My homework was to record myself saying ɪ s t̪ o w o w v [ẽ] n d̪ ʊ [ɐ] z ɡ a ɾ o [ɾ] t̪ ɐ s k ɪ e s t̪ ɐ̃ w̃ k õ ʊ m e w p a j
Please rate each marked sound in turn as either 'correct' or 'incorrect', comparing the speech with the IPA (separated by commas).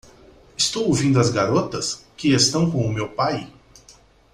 incorrect, correct, incorrect